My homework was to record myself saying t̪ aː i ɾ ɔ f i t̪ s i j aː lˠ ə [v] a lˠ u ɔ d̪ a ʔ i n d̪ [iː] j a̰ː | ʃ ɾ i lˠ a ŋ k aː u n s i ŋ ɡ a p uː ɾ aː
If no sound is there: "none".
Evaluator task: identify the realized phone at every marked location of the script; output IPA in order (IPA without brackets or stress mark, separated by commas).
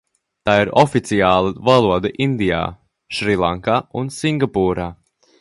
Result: v, i